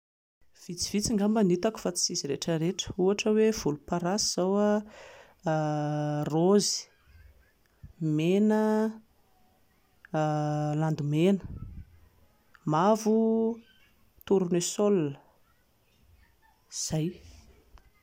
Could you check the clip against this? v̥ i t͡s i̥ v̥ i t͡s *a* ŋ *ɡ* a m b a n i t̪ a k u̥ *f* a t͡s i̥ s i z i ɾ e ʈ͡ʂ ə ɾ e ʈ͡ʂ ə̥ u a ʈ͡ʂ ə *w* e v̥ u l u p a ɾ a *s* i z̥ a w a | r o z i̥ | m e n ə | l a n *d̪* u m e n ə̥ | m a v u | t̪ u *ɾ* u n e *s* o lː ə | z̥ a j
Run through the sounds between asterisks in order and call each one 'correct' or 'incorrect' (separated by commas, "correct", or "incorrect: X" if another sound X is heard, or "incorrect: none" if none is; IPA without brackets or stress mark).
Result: incorrect: i, correct, correct, correct, correct, correct, correct, correct